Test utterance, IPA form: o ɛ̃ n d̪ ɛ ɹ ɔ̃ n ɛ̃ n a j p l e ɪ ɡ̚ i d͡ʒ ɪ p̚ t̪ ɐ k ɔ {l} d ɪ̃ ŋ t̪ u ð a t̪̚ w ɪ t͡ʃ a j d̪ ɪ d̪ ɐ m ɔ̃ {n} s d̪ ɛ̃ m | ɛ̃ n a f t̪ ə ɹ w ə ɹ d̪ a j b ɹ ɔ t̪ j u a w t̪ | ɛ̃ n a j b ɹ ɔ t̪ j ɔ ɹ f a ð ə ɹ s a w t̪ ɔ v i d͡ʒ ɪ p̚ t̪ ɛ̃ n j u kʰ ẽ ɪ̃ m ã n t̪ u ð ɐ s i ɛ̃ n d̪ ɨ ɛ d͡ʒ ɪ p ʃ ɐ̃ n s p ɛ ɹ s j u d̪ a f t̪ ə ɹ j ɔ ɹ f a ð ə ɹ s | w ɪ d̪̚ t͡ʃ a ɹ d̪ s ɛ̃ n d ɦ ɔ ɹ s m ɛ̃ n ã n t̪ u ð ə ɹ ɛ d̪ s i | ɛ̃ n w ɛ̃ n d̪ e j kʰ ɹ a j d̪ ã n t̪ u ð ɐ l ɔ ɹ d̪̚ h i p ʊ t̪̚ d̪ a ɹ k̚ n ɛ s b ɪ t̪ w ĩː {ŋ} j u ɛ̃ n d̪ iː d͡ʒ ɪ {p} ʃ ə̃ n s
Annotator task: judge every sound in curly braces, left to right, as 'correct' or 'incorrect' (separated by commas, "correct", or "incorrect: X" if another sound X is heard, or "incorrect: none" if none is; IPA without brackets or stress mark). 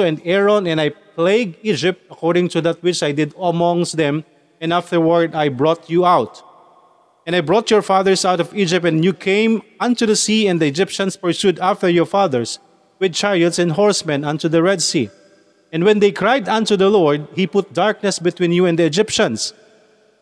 incorrect: ɹ, incorrect: ŋ, incorrect: n, correct